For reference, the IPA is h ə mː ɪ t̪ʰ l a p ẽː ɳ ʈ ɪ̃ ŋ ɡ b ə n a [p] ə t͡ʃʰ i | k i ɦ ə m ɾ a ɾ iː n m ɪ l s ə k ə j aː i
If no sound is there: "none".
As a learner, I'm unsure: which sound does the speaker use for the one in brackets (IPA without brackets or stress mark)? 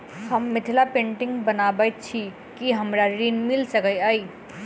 b